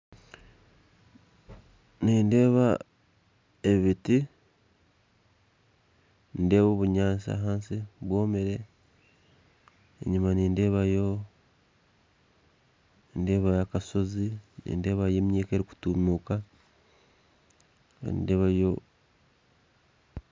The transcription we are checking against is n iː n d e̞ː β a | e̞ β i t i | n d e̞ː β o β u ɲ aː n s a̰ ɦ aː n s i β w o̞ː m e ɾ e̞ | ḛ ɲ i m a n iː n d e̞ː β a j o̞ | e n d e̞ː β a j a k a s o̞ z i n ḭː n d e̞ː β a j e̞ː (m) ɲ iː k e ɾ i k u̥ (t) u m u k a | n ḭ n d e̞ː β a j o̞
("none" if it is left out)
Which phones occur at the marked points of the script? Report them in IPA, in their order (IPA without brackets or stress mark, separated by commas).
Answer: m, t